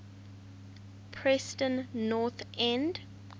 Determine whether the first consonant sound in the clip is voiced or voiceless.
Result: voiceless